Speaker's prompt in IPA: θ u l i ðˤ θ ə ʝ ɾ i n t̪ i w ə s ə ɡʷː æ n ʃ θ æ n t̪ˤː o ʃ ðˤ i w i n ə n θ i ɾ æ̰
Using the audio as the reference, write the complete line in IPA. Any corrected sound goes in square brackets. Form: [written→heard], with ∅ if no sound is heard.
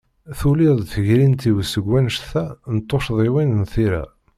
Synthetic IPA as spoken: θ u l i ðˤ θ ə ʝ ɾ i n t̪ i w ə s ə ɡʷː æ n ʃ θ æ n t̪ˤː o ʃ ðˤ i w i n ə n θ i ɾ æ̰